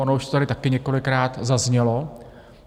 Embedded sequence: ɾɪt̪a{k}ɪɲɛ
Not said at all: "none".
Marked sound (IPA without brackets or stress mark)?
k